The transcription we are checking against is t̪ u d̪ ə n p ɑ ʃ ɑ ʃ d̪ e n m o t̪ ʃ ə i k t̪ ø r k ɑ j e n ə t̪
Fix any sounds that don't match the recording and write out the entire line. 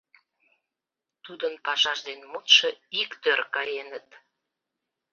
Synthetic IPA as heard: t̪ u d̪ ə n p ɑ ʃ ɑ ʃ d̪ e n m u t̪ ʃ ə i k t̪ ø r k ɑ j e n ə t̪

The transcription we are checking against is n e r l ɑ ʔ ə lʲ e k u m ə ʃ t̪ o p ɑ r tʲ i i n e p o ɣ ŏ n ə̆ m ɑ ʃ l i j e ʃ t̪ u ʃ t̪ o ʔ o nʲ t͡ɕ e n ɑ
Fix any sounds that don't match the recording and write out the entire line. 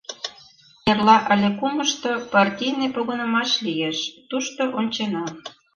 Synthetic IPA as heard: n e r l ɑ ʔ ə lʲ e k u m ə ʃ t̪ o p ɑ r tʲ i j n e p o ɣ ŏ n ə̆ m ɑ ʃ l i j e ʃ t̪ u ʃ t̪ o ʔ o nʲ t͡ɕ e n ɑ

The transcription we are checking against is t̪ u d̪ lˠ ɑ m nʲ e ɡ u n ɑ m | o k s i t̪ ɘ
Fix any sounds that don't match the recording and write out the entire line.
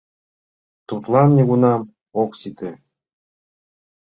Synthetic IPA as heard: t̪ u t̪ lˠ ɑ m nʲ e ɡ u n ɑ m | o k s i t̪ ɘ

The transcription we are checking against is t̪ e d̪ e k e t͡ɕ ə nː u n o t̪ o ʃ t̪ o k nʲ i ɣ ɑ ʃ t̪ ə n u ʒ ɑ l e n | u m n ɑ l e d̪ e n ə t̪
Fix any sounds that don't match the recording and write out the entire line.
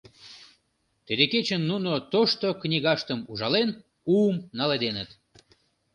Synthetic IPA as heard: t̪ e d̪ e k e t͡ɕ ə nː u n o t̪ o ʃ t̪ o k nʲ i ɣ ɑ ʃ t̪ ə m u ʒ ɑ l e n | u m n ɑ l e d̪ e n ə t̪

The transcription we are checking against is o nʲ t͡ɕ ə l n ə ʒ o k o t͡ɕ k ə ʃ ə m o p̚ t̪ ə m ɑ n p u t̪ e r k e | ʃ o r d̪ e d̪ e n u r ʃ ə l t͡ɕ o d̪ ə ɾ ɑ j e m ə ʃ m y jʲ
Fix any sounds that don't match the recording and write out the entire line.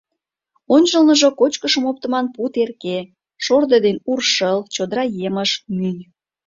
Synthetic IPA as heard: o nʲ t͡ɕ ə l n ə ʒ o k o t͡ɕ k ə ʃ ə m o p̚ t̪ ə m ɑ n p u t̪ e r k e | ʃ o r d̪ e d̪ e n u r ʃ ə l t͡ɕ o d̪ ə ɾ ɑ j e m ə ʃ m y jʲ

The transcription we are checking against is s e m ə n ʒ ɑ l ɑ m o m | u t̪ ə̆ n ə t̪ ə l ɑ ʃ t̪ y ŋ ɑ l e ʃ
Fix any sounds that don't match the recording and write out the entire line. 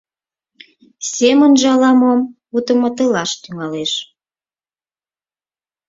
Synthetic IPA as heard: s e m ə n ʒ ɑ l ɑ m o m | u t̪ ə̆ m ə t̪ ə l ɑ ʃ t̪ y ŋ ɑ l e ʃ

